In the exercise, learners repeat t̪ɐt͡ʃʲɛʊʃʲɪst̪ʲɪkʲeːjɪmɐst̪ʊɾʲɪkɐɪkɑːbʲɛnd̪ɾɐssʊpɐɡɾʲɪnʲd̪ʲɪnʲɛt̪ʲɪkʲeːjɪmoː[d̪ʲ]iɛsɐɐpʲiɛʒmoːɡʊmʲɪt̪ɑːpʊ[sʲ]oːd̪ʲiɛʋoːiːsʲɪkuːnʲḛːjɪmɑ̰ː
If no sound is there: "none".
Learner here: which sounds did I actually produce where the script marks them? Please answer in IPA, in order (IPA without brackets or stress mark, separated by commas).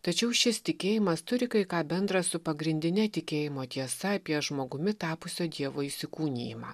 t̪ʲ, sʲ